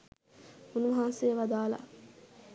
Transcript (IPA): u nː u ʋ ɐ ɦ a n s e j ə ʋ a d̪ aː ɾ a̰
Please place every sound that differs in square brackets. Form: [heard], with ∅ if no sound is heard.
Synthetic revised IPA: u [n] u ʋ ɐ ɦ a n s e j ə ʋ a d̪ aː [l] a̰